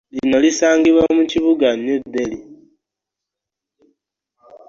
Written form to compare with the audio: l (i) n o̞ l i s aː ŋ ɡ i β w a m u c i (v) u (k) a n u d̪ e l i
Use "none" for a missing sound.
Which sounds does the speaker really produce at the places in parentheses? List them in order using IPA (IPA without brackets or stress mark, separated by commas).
i, β, ɡ